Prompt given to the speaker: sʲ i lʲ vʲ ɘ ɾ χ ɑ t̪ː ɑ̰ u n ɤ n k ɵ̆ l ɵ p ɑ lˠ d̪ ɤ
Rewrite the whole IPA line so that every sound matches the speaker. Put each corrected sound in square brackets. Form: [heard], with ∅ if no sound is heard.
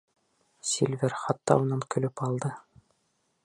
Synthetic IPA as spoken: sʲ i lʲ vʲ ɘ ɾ χ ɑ t̪ː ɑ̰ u n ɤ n k ɵ̆ l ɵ p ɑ lˠ d̪ ɤ

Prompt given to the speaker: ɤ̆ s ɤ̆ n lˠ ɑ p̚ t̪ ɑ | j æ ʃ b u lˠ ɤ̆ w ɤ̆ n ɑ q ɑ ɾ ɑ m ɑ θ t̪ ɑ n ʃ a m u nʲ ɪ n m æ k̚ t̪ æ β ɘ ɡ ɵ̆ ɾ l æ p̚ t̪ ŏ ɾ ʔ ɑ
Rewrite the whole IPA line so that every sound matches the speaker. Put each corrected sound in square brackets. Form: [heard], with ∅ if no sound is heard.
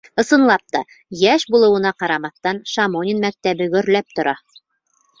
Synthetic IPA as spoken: ɤ̆ s ɤ̆ n lˠ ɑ p̚ t̪ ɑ | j æ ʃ b u lˠ ɤ̆ w ɤ̆ n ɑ q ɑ ɾ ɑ m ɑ θ t̪ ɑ n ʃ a m [o] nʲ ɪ n m æ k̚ t̪ æ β ɘ ɡ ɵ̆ ɾ l æ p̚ t̪ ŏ ɾ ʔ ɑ

